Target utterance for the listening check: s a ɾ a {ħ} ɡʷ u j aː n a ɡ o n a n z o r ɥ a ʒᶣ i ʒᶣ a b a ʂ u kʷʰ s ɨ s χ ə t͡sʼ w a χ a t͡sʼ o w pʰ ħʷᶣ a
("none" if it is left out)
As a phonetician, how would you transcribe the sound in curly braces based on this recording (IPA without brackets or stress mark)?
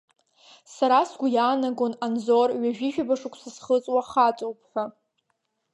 s